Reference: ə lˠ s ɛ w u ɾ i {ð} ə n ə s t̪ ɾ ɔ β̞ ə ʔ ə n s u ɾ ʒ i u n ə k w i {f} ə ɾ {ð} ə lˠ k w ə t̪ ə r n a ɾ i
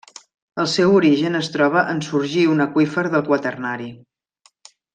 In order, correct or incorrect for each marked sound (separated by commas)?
incorrect, correct, correct